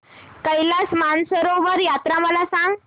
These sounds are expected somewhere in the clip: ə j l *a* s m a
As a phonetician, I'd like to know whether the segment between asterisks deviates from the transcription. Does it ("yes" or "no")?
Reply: no